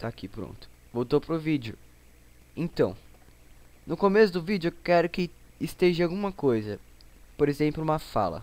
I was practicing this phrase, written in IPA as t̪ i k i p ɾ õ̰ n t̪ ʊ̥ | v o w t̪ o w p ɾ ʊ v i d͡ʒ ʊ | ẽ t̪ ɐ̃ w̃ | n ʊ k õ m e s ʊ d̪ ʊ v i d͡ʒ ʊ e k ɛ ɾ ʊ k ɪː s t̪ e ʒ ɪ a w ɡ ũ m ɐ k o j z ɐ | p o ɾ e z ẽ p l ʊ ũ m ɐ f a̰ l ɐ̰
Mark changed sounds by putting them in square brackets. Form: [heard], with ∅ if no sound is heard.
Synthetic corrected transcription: t̪ [a] k i p ɾ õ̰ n t̪ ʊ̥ | v o w t̪ o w p ɾ ʊ v i d͡ʒ ʊ | ẽ t̪ ɐ̃ w̃ | n ʊ k [o] m e s ʊ d̪ ʊ v i d͡ʒ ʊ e k ɛ ɾ ʊ k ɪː s t̪ e ʒ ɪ a w ɡ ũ m ɐ k o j z ɐ | p o ɾ e z ẽ p l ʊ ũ m ɐ f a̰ l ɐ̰